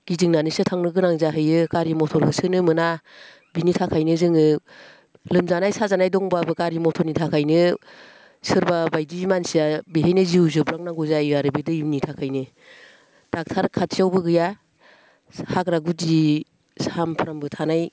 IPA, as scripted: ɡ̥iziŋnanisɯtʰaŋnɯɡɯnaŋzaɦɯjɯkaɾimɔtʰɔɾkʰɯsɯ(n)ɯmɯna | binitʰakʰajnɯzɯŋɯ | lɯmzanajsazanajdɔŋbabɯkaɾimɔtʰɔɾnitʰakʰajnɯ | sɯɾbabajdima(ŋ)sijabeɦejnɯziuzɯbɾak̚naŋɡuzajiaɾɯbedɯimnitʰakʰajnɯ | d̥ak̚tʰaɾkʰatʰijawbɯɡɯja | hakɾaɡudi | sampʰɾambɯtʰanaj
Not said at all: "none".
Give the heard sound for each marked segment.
n, n

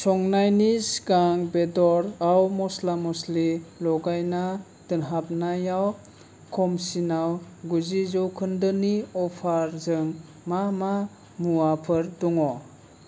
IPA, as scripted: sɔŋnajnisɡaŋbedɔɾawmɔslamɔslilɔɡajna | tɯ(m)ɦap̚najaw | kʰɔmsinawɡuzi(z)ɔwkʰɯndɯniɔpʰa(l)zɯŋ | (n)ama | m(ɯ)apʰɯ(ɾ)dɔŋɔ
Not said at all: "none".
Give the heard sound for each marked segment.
n, z, ɾ, m, u, ɾ

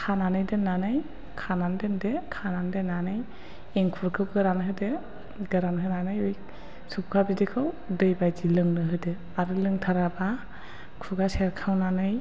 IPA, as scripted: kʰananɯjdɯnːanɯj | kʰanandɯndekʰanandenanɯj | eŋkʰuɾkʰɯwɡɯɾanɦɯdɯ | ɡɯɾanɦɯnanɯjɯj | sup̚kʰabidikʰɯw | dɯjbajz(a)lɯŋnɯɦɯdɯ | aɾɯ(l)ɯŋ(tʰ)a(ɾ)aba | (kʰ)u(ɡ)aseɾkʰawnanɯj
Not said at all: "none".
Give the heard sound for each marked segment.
i, l, tʰ, ɾ, kʰ, ɡ

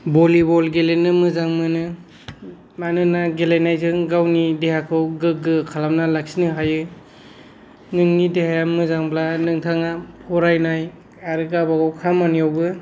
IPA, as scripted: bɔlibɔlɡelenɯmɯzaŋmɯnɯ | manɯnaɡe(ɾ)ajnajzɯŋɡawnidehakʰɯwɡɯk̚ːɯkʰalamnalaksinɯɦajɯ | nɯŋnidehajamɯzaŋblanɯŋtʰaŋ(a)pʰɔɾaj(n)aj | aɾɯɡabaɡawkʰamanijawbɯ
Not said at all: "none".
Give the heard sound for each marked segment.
l, a, n

